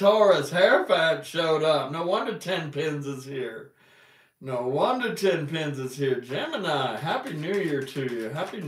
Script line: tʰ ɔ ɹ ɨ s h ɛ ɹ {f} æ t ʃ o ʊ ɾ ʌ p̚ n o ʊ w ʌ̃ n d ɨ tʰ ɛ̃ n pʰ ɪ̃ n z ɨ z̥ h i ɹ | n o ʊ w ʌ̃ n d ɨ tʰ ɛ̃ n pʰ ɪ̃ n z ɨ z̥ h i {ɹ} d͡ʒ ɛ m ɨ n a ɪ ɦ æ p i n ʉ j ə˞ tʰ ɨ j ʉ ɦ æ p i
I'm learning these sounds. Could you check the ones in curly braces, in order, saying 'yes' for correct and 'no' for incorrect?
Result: yes, yes

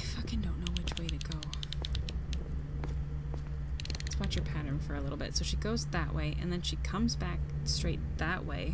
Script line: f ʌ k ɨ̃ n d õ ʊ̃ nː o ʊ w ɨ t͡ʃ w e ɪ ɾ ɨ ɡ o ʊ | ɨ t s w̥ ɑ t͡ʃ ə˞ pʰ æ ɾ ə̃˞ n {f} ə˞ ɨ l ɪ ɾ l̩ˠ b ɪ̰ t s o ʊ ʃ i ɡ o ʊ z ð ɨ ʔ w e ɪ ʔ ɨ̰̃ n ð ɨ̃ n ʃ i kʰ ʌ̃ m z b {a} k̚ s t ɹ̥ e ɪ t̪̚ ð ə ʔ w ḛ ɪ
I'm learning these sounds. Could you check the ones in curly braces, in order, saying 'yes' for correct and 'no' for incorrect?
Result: yes, no

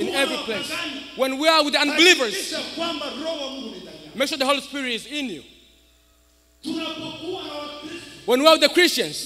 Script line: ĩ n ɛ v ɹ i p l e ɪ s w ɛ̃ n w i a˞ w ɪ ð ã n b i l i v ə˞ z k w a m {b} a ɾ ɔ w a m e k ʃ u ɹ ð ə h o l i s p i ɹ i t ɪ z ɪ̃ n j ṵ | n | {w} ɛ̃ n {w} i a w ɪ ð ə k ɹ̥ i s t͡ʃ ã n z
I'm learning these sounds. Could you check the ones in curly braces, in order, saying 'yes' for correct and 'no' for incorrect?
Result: yes, yes, yes

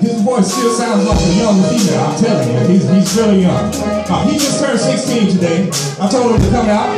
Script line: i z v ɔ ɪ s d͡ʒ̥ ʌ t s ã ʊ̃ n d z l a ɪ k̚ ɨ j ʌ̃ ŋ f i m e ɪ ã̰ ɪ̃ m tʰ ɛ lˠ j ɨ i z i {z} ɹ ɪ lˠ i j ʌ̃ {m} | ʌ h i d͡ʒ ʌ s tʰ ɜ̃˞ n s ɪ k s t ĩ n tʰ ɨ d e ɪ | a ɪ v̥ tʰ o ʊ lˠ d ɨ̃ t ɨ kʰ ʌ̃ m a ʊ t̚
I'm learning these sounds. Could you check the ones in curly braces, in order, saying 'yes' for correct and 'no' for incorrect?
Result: yes, no

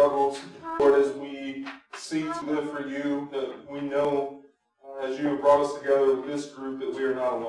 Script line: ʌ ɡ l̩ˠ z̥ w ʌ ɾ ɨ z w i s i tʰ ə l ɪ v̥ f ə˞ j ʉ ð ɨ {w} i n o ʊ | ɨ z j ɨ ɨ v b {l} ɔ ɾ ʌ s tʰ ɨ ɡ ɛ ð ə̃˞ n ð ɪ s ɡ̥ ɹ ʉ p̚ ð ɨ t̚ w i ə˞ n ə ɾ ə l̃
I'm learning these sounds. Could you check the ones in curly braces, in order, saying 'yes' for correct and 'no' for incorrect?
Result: yes, no

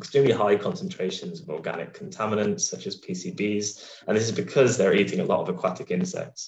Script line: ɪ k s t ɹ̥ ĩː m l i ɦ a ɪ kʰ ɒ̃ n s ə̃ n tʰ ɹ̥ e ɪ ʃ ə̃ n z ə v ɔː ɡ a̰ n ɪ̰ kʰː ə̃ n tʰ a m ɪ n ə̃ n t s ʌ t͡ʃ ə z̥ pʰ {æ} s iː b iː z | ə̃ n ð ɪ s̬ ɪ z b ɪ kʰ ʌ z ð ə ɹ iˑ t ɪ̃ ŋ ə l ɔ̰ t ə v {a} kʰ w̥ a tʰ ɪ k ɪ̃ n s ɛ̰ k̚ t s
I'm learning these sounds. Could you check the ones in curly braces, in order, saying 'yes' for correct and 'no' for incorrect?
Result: no, no

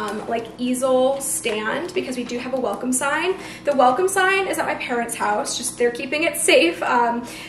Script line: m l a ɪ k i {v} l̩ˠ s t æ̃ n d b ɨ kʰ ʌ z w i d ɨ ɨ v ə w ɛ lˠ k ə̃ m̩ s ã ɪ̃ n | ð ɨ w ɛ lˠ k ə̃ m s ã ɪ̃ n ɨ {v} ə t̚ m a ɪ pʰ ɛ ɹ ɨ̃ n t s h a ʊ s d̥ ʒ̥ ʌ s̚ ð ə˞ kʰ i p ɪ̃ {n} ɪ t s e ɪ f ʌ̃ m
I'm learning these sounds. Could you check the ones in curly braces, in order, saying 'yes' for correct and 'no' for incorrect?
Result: no, no, no

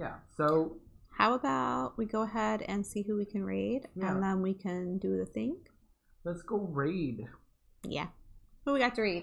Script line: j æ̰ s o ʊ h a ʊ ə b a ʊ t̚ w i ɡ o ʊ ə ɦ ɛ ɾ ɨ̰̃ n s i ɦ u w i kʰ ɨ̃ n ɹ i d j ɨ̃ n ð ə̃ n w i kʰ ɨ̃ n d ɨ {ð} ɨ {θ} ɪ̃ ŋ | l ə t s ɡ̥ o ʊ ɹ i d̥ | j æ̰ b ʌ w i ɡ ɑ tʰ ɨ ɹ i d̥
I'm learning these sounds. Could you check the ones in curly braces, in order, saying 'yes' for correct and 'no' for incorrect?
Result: yes, yes

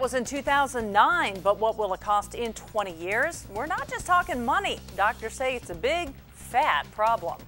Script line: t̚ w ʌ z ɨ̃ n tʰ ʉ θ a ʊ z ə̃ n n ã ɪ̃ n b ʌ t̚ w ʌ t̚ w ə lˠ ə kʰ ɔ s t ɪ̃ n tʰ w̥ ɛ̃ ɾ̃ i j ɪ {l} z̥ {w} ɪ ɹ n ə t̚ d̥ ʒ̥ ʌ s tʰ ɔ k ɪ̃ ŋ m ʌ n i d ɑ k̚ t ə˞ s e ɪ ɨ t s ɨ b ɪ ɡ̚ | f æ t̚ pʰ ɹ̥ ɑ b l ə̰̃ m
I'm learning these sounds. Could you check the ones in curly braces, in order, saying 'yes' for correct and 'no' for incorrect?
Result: no, yes

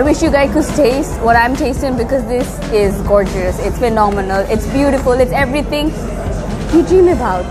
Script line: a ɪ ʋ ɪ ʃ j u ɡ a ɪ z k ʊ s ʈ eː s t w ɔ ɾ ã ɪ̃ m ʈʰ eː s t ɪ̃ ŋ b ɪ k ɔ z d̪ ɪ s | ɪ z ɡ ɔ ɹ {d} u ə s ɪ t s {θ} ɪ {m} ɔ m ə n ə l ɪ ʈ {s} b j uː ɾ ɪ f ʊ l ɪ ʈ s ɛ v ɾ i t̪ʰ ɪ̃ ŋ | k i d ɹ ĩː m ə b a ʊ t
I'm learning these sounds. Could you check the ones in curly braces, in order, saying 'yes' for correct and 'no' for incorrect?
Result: no, no, no, yes

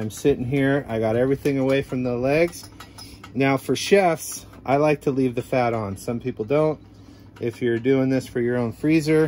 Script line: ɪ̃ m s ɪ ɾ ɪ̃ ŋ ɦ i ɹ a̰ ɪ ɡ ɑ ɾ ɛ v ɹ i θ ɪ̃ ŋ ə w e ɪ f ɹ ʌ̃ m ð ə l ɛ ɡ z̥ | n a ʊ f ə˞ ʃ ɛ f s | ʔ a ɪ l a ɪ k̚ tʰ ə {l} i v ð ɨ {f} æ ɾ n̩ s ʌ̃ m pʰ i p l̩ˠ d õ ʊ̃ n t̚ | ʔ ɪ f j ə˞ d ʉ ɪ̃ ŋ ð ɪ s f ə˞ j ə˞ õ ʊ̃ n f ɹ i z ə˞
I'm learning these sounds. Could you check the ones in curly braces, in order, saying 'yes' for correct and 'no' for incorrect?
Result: yes, yes

